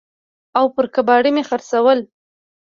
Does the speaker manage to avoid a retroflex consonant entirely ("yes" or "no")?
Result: no